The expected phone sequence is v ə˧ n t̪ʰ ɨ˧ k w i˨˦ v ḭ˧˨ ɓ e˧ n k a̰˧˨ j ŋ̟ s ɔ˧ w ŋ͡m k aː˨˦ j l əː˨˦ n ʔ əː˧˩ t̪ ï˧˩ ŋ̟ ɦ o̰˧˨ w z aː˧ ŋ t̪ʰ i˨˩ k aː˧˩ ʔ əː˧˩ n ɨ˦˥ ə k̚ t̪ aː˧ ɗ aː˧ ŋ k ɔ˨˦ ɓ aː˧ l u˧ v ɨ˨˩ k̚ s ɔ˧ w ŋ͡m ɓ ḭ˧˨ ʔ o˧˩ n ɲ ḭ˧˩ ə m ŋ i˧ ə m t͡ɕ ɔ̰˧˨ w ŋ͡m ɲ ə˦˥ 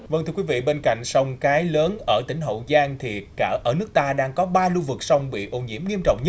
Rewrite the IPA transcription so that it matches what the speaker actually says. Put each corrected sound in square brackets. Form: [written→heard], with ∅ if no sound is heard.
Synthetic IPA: v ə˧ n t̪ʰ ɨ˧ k w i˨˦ v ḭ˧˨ ɓ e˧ n k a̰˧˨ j ŋ̟ s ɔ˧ w ŋ͡m k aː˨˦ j l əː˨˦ n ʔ əː˧˩ t̪ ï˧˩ ŋ̟ ɦ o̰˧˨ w z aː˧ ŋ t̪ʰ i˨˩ k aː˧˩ ʔ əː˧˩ n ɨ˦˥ ə k̚ t̪ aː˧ ɗ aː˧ ŋ k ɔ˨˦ ɓ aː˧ l u˧ v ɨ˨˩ k̚ s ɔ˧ w ŋ͡m ɓ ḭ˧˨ ʔ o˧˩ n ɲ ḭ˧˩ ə m ŋ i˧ ə m t͡ɕ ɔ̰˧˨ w ŋ͡m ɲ ə˦˥